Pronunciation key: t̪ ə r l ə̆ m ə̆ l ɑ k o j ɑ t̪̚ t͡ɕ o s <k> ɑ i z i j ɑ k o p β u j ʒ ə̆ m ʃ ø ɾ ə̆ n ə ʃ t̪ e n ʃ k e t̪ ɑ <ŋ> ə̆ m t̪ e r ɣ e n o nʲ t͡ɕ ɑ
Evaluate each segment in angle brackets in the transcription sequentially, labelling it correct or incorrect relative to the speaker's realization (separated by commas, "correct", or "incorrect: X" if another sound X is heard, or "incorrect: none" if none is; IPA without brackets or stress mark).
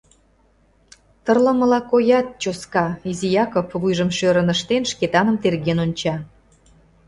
correct, incorrect: n